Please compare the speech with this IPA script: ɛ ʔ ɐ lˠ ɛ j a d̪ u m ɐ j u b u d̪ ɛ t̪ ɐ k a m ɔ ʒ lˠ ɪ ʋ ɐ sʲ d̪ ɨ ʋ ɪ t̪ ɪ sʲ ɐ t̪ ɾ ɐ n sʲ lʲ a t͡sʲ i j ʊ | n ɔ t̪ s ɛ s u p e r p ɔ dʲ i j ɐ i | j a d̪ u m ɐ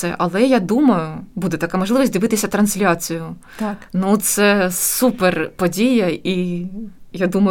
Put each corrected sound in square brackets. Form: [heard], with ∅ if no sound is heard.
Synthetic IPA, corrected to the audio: ɛ ʔ ɐ lˠ ɛ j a d̪ u m ɐ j [ʊ] b u d̪ ɛ t̪ ɐ k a m ɔ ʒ lˠ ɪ ʋ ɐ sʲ d̪ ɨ ʋ ɪ t̪ ɪ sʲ ɐ t̪ ɾ ɐ n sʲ lʲ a t͡sʲ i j ʊ | n [u] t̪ s ɛ s u p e r p ɔ dʲ i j ɐ i | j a d̪ u m ɐ